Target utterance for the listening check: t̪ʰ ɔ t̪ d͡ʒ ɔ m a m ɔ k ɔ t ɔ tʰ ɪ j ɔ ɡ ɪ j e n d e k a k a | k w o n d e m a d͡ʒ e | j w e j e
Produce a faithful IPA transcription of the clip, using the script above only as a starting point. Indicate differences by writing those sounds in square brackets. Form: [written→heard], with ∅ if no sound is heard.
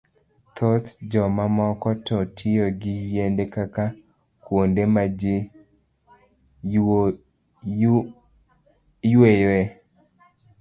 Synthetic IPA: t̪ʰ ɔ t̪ d͡ʒ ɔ m a m ɔ k ɔ t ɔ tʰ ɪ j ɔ ɡ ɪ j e n d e k a k a | k w o n d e m a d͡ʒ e | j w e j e